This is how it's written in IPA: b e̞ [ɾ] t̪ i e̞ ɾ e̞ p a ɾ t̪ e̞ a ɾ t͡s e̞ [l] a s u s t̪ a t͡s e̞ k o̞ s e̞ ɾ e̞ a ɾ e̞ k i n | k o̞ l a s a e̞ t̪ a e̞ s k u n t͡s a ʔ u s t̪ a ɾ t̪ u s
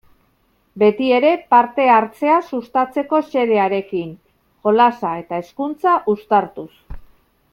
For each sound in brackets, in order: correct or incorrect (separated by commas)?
incorrect, incorrect